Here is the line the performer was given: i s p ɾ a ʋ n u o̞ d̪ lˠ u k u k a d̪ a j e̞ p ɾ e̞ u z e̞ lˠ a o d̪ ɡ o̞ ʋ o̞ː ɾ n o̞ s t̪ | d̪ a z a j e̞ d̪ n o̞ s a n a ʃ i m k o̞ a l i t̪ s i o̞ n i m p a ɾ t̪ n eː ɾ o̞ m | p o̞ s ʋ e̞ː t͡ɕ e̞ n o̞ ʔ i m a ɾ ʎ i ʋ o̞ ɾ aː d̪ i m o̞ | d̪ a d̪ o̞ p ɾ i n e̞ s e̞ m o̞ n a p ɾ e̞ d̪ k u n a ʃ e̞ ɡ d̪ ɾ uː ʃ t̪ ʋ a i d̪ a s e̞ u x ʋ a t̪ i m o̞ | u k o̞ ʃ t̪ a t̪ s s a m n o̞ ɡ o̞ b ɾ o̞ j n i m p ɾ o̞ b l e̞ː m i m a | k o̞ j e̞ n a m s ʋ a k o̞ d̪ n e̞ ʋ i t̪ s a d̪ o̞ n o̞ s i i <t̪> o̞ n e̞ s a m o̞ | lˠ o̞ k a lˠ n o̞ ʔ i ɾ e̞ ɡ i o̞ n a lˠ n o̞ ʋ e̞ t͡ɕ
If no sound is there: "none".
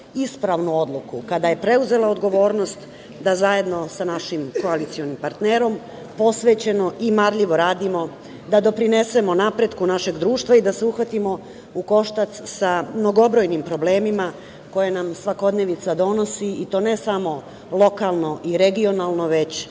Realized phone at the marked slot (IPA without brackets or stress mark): t̪